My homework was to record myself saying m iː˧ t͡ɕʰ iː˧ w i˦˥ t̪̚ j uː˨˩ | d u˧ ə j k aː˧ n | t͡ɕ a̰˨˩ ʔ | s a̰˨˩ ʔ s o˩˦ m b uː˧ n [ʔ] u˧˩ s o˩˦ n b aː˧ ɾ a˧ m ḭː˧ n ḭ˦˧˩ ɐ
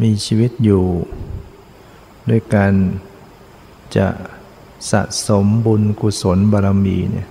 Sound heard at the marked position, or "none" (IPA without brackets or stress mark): k